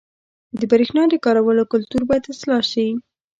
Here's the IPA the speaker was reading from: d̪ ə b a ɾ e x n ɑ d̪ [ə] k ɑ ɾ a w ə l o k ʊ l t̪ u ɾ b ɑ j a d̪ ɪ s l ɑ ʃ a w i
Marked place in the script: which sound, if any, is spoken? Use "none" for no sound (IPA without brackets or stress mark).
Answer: ə